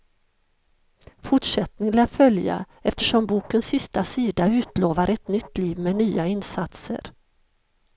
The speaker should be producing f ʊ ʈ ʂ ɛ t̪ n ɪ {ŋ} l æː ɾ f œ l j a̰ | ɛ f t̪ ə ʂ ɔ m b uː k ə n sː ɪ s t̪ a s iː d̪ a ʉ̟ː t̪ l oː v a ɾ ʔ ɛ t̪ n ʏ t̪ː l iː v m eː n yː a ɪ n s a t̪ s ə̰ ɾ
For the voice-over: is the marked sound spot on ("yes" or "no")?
yes